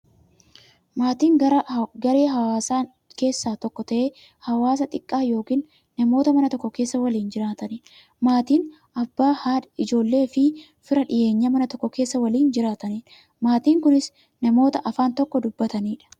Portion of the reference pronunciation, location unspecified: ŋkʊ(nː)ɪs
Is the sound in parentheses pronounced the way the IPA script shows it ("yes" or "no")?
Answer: no